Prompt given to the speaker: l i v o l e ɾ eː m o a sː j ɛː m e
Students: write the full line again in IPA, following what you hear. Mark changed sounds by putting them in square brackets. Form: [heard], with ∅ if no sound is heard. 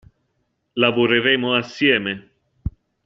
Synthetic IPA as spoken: l [a] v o [ɾ] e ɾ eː m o a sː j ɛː m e